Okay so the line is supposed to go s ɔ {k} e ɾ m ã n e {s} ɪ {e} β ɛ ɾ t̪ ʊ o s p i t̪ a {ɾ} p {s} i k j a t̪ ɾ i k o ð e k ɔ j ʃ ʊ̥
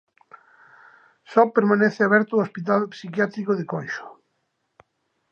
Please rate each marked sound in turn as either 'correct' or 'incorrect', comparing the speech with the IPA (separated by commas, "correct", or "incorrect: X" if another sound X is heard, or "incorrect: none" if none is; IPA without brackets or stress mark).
incorrect: p, incorrect: θ, incorrect: a, incorrect: l, correct